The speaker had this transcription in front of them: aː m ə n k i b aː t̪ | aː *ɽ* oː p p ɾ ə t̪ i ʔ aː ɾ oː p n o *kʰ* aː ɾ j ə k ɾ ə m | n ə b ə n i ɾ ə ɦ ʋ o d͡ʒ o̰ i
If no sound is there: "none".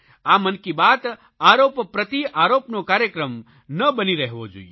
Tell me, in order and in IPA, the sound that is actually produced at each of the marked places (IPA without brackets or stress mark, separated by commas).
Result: ɾ, k